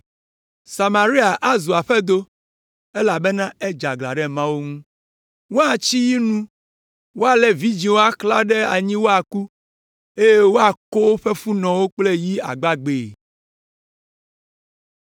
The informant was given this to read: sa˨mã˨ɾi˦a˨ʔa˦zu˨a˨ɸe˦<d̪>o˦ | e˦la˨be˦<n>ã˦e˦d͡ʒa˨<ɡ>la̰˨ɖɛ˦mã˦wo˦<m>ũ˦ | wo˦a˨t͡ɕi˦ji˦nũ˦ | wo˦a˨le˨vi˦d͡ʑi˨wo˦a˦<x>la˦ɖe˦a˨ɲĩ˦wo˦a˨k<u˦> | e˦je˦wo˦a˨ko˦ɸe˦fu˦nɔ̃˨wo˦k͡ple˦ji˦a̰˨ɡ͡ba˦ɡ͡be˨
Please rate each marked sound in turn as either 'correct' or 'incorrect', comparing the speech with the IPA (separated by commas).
correct, correct, correct, incorrect, incorrect, correct